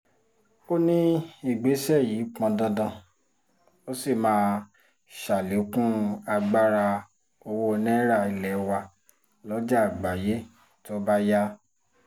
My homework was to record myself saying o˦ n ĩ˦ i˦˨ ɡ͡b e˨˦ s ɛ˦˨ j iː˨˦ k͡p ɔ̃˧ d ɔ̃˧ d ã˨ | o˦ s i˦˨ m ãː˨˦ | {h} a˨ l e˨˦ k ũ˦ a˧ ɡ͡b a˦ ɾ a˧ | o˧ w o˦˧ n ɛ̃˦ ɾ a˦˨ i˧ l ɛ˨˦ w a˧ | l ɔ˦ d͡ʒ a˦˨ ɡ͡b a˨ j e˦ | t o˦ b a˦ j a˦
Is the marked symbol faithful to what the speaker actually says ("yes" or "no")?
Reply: no